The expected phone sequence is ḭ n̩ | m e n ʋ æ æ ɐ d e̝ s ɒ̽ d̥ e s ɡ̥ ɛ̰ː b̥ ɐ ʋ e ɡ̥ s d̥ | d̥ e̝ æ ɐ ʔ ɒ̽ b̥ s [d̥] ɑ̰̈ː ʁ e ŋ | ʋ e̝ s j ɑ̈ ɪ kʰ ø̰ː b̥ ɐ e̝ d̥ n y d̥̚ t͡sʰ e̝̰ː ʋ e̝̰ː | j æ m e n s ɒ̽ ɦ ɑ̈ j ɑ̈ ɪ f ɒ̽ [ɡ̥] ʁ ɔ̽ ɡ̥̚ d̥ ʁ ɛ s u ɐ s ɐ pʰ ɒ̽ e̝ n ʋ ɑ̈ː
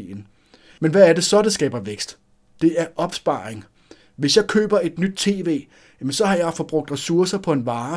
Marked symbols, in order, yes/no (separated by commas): no, no